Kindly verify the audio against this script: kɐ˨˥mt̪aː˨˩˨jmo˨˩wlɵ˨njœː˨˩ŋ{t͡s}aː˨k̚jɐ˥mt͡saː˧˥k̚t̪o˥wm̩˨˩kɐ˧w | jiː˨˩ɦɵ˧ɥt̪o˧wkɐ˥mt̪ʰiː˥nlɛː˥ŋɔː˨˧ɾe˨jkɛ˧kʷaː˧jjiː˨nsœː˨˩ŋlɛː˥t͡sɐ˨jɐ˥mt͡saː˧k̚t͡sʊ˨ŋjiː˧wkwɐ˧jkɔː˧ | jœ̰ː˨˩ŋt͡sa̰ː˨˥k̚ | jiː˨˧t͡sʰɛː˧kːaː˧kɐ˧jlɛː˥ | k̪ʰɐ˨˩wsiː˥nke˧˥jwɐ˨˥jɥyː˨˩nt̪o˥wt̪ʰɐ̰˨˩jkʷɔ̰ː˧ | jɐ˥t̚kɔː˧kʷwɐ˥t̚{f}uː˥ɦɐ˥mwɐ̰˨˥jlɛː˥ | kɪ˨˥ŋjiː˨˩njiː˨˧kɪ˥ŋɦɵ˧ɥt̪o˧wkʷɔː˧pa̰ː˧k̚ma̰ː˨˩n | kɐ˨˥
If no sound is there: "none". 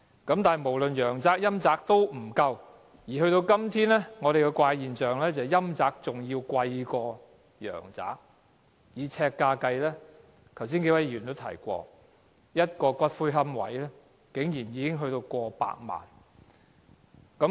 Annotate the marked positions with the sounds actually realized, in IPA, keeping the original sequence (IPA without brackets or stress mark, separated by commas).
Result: t͡s, f